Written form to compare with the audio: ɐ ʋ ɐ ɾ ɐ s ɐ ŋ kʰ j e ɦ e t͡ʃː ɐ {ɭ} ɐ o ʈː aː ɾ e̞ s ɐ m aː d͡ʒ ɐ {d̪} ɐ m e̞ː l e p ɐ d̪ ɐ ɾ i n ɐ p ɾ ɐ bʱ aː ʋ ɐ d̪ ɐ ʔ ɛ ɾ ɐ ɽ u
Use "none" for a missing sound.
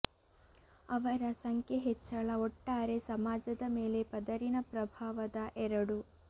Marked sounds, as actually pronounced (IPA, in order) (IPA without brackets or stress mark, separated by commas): ɭ, d̪